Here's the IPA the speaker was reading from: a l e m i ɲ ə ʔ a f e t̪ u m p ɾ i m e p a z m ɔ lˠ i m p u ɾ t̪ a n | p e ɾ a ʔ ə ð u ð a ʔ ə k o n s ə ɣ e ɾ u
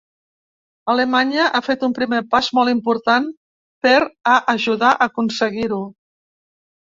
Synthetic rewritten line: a l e m a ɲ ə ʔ a f e t̪ u m p ɾ i m e p a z m ɔ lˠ i m p u ɾ t̪ a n | p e ɾ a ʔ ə ʒ u ð a ʔ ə k u n s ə ɣ i ɾ u